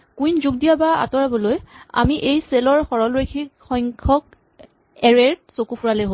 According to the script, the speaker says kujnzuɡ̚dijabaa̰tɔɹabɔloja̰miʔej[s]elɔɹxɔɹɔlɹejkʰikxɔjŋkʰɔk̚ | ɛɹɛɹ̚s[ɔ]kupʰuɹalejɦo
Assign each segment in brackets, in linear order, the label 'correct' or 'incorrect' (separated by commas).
correct, incorrect